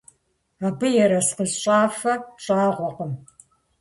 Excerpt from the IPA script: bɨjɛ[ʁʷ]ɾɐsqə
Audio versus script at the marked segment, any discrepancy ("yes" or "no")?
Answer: yes